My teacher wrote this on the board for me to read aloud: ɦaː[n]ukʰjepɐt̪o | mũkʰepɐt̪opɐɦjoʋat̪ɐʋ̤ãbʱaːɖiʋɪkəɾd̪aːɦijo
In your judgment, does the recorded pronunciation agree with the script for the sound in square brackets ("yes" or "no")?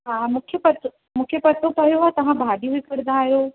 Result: no